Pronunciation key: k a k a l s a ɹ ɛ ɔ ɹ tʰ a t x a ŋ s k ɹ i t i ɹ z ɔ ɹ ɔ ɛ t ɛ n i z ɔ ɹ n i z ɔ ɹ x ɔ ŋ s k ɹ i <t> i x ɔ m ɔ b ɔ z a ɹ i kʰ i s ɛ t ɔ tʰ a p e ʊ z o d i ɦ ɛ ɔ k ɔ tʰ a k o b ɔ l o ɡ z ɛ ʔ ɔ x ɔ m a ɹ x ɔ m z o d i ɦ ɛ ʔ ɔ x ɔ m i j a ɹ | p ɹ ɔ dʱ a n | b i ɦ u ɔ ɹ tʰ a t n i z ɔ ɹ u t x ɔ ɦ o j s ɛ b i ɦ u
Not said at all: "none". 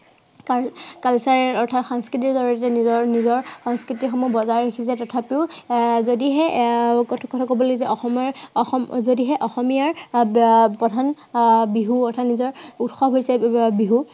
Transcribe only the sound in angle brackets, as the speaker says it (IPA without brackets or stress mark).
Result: t